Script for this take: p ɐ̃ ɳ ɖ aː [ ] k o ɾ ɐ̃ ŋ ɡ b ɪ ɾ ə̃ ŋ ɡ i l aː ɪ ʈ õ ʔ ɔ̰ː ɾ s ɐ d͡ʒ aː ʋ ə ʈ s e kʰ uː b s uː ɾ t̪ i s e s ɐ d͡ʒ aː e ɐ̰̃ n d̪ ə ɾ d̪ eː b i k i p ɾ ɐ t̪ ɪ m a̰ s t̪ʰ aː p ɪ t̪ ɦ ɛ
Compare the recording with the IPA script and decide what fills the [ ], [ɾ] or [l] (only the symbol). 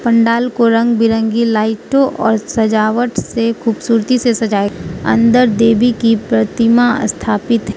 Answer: l